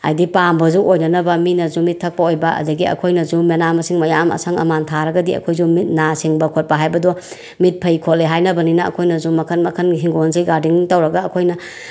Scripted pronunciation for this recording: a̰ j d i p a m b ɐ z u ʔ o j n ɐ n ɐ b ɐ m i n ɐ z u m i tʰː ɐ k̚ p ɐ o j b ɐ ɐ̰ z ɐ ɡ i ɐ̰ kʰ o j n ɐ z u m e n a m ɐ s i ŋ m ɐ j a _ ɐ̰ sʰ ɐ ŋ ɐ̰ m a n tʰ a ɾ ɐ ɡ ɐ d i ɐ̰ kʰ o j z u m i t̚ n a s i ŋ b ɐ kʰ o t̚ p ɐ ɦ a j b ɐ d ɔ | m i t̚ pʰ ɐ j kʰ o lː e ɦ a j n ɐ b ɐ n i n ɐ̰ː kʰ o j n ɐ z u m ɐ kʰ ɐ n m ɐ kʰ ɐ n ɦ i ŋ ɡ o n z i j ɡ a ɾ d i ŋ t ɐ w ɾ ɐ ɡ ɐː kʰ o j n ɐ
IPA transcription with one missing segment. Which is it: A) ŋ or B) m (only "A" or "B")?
B